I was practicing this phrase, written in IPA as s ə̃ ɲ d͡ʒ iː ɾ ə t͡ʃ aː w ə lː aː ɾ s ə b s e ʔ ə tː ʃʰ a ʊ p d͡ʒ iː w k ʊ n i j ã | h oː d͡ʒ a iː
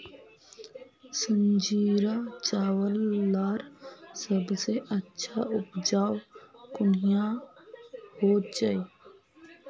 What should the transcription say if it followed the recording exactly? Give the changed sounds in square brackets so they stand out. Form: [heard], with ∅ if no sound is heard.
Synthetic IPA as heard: s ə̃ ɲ d͡ʒ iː ɾ [a] t͡ʃ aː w ə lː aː ɾ s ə b s e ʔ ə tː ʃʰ a ʊ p d͡ʒ [aː] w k ʊ n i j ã | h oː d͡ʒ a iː